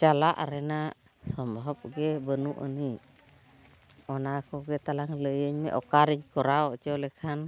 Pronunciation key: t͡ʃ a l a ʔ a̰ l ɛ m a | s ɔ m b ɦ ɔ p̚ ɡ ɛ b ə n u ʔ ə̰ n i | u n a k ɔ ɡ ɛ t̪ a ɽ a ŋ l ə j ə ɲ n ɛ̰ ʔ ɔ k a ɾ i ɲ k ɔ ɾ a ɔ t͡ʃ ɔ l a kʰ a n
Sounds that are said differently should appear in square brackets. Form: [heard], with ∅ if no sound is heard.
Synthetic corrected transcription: t͡ʃ a l a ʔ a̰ [ɾ] ɛ [n] a | s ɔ m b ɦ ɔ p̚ ɡ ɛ b ə n u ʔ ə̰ n i | [ɔ] n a k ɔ ɡ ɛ t̪ a [l] a ŋ l ə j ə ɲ [m] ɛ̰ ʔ ɔ k a ɾ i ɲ k ɔ ɾ a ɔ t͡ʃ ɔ l [ɛ] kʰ a n